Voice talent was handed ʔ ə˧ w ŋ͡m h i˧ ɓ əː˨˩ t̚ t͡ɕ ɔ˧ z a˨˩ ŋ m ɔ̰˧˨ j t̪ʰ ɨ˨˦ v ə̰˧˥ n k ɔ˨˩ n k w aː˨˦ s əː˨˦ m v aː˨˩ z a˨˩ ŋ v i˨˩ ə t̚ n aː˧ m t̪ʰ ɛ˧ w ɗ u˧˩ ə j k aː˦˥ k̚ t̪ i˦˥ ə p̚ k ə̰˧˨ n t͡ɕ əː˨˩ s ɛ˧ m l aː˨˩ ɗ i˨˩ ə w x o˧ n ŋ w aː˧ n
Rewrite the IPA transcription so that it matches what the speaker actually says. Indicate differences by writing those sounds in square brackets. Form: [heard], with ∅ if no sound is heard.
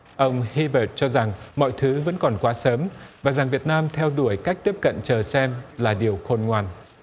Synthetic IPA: ʔ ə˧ w ŋ͡m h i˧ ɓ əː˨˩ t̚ t͡ɕ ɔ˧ z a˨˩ ŋ m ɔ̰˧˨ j t̪ʰ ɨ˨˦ v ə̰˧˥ n k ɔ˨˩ n k w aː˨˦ s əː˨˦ m v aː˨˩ z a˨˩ ŋ v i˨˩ ə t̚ n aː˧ m t̪ʰ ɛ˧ w ɗ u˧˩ ə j k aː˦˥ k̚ t̪ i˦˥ ə p̚ k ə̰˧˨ n t͡ɕ əː˨˩ s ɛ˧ m l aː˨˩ ɗ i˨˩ ə w x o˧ n ŋ w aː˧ n